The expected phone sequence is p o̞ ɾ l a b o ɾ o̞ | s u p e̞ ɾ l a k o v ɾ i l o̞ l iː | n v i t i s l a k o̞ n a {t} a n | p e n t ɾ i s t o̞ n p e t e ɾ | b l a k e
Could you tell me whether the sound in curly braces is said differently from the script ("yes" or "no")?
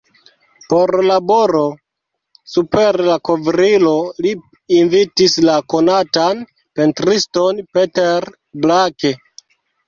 no